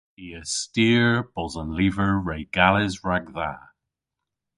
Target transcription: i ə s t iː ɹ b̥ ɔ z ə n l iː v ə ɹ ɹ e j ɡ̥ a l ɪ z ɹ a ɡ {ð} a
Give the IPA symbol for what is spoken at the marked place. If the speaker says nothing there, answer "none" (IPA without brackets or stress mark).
ð